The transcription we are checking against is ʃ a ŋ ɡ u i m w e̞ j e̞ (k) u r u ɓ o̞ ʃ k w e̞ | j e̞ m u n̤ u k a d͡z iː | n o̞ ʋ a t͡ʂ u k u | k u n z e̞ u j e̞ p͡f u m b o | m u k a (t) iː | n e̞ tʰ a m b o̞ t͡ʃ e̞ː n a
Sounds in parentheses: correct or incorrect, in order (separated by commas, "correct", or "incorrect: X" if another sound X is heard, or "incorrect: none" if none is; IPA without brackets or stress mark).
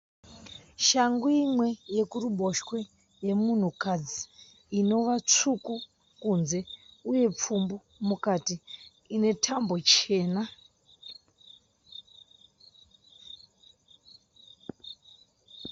correct, correct